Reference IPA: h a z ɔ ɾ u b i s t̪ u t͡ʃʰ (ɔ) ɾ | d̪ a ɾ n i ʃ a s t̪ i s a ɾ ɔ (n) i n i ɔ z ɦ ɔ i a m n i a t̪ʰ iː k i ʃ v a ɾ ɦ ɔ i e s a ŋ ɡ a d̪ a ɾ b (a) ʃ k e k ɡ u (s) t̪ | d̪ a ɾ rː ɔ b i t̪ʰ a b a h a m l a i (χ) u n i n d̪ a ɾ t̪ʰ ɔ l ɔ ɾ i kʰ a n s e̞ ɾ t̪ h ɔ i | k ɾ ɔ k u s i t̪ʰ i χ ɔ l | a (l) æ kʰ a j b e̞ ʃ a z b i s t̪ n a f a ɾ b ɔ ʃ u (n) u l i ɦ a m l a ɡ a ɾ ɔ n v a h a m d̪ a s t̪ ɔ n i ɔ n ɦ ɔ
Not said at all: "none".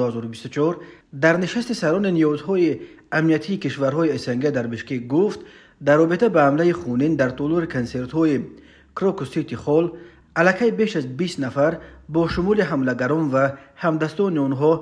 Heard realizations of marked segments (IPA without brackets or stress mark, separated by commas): ɔ, n, i, f, χ, l, m